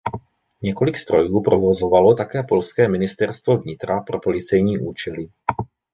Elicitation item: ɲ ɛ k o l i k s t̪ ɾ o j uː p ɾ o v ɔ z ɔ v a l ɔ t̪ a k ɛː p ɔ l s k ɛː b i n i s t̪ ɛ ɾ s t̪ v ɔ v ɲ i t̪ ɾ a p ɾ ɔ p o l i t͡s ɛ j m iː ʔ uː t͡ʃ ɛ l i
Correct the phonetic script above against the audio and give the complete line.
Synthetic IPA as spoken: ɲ ɛ k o l i k s t̪ ɾ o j uː p ɾ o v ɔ z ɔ v a l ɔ t̪ a k ɛː p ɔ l s k ɛː m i n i s t̪ ɛ ɾ s t̪ v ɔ v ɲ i t̪ ɾ a p ɾ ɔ p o l i t͡s ɛ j ɲ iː ʔ uː t͡ʃ ɛ l i